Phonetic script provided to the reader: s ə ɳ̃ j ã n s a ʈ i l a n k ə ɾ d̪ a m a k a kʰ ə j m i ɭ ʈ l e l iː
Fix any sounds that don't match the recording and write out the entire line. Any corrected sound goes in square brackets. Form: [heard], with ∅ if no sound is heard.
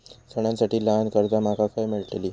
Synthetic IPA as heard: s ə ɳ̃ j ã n s a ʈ [iː] l a n k ə ɾ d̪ a m a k a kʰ [a] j m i ɭ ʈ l e l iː